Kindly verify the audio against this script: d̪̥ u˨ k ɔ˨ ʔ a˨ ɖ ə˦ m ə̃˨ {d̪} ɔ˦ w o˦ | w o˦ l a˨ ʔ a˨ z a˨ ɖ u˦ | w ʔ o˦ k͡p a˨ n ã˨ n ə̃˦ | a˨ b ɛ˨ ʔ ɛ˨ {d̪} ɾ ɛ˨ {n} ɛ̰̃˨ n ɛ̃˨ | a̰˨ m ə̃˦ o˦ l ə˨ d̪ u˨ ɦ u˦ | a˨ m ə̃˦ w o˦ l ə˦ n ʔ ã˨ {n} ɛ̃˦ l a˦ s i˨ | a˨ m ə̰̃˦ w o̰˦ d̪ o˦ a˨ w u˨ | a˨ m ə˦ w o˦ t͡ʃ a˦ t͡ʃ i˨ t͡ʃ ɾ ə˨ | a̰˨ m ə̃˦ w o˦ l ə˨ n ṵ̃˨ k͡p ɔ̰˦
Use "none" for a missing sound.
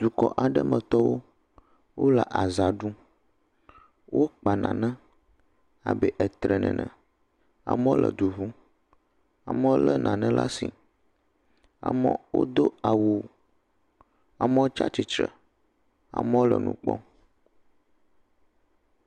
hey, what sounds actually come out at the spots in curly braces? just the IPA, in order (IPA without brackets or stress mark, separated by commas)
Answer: t̪, t̪, n, n